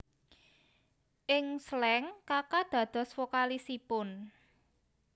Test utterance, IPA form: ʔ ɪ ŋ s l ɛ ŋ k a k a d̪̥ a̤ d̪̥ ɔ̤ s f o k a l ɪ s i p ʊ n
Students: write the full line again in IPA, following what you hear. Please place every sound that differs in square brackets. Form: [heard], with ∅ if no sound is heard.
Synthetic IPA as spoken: ʔ ɪ ŋ s l ɛ ŋ k a k a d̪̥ a̤ d̪̥ ɔ̤ s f o k a l [i] s i p ʊ n

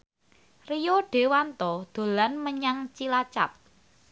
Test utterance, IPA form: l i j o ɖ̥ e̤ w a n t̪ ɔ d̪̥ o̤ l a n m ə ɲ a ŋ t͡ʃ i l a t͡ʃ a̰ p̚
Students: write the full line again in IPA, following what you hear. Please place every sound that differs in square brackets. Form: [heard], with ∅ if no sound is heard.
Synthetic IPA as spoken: [r] i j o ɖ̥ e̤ w a n t̪ ɔ d̪̥ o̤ l a n m ə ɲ a ŋ t͡ʃ i l a t͡ʃ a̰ p̚

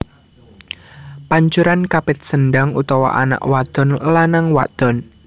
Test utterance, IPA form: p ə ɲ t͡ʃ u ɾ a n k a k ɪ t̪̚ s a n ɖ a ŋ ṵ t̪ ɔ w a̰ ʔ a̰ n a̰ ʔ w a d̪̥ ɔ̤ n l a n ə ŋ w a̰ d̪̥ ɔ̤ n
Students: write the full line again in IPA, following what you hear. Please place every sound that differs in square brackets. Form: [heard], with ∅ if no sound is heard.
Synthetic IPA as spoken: p [a] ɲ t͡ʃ u ɾ a n k a [p] ɪ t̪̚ s [ə] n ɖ a ŋ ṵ t̪ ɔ w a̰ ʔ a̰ n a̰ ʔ w a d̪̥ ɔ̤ n l a n [a] ŋ w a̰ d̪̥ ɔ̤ n

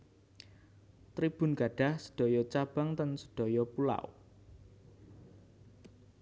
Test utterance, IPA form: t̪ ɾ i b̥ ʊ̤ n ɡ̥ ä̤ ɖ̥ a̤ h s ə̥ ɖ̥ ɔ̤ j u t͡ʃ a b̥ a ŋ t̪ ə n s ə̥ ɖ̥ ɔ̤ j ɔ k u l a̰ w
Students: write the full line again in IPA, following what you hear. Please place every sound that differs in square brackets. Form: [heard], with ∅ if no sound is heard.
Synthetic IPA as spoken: t̪ ɾ i b̥ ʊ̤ n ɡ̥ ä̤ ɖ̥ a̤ h s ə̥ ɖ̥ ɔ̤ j [ɔ] t͡ʃ a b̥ a ŋ t̪ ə n s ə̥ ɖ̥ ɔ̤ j ɔ [p] u l a̰ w

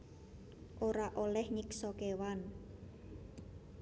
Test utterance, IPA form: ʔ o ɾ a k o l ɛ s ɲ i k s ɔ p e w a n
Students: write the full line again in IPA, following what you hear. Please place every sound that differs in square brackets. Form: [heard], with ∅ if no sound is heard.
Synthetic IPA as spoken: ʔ o ɾ a [ʔ] o l ɛ [h] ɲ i k s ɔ [k] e w a n

